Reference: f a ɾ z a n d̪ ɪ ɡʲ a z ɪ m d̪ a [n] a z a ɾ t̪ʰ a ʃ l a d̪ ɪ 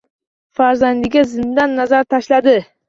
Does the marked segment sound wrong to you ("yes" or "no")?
yes